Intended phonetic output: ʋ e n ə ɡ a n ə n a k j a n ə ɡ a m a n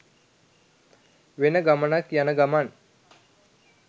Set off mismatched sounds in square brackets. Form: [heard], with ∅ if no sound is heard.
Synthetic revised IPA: ʋ e n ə ɡ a [m] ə n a k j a n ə ɡ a m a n